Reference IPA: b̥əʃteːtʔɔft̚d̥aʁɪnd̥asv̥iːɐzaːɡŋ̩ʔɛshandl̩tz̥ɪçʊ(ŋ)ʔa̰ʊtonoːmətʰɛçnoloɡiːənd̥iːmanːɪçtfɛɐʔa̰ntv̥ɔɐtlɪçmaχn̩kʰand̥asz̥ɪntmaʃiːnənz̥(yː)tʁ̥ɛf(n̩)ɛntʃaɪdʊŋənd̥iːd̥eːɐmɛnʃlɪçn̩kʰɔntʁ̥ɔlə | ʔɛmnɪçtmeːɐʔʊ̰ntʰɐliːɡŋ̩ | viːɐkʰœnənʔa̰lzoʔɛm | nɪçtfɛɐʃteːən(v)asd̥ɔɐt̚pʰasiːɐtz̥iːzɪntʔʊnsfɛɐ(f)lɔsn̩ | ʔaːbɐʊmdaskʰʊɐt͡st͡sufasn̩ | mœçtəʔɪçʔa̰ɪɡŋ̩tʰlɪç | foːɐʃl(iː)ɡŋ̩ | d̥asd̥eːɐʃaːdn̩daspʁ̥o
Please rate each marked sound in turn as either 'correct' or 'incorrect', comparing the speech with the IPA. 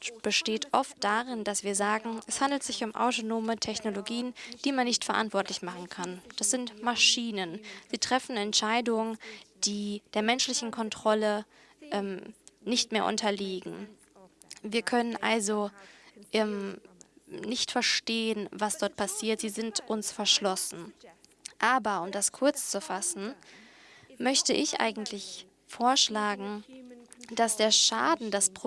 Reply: incorrect: m, incorrect: iː, correct, correct, incorrect: ʃ, incorrect: aː

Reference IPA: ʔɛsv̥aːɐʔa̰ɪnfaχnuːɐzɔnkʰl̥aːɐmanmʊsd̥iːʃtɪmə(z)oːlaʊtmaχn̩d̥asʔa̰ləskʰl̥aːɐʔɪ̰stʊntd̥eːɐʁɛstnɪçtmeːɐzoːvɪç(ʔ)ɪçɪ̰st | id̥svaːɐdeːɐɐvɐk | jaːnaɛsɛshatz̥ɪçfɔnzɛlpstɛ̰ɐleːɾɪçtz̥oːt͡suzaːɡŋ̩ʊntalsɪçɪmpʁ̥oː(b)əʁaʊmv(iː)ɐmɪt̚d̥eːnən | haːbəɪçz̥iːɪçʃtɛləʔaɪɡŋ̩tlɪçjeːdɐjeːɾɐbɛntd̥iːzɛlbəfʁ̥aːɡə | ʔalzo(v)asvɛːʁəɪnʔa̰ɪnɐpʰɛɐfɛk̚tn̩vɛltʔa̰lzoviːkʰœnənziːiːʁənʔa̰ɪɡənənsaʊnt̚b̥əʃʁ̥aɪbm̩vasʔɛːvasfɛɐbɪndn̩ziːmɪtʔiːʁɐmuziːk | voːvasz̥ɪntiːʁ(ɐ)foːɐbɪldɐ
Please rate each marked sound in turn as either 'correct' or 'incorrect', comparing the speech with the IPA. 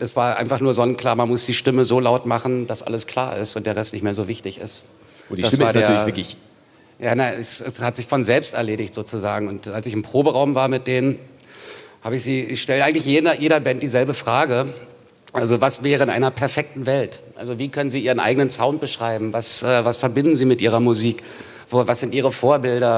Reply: correct, incorrect: t, correct, incorrect: aː, correct, incorrect: ə

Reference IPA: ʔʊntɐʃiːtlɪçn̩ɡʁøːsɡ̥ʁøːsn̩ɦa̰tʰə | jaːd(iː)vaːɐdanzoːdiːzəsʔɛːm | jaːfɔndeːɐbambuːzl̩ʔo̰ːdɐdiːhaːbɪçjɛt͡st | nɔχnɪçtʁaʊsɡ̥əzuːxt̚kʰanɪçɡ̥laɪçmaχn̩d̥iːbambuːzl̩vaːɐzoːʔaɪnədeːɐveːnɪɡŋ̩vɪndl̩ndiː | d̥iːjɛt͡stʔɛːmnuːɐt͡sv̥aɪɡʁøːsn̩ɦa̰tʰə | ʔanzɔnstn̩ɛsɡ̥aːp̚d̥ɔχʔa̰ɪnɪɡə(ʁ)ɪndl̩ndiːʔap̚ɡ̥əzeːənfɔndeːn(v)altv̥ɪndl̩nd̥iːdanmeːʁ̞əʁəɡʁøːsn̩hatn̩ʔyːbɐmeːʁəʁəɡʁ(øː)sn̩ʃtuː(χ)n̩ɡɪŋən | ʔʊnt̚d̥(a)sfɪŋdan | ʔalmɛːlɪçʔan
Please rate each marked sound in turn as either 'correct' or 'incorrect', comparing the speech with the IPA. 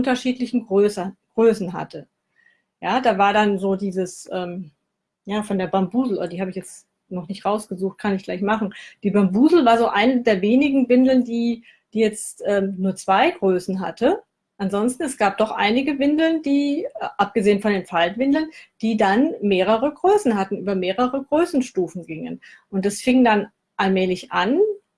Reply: incorrect: aː, incorrect: v, incorrect: f, correct, incorrect: f, correct

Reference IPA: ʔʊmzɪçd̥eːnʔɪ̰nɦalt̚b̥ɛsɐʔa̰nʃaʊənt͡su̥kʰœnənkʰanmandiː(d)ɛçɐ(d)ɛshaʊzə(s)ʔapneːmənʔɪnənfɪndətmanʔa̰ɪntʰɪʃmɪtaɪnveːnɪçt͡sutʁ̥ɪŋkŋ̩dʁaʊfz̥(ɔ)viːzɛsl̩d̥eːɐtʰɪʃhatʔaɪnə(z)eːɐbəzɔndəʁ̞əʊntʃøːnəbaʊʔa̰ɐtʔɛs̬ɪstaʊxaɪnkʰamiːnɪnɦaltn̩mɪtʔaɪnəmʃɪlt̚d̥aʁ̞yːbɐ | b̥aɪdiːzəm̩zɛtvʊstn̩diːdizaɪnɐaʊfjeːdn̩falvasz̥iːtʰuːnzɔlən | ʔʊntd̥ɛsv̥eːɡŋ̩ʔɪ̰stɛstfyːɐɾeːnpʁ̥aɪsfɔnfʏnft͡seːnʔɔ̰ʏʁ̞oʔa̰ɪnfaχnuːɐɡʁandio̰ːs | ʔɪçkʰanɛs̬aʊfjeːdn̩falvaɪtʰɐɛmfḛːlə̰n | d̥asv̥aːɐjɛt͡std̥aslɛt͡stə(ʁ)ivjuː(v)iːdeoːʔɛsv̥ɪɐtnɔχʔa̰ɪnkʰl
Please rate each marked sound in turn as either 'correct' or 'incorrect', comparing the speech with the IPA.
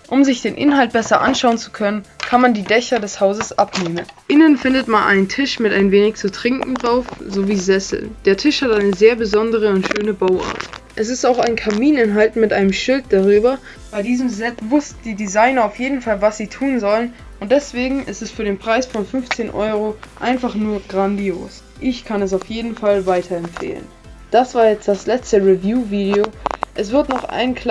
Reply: correct, correct, correct, incorrect: o, correct, correct, correct

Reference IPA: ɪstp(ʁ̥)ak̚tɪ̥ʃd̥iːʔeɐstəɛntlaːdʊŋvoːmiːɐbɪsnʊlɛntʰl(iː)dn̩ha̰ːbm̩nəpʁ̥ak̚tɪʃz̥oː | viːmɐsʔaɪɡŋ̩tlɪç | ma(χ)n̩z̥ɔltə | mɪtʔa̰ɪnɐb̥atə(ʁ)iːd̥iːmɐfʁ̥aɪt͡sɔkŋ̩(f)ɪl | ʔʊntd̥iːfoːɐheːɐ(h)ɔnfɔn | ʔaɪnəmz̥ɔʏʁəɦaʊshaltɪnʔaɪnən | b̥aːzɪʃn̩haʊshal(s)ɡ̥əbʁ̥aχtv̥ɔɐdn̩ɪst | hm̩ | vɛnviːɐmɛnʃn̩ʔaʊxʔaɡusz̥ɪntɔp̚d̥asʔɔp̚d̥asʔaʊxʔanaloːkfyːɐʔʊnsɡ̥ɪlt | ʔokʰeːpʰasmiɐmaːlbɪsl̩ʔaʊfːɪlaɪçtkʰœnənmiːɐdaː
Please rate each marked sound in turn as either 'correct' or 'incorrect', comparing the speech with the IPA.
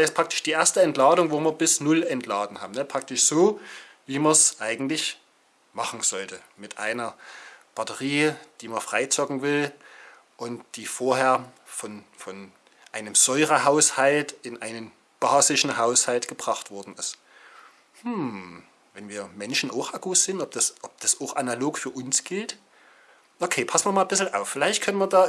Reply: correct, incorrect: aː, correct, correct, incorrect: v, incorrect: f, incorrect: t

